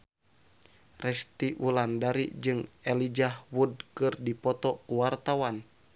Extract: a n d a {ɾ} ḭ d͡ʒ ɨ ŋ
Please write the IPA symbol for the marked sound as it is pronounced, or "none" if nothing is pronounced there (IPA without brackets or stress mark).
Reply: ɾ